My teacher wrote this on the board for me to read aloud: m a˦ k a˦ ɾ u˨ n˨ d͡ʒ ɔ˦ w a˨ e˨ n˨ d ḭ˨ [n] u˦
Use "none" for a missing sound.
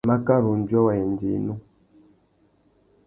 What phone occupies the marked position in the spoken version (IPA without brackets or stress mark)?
n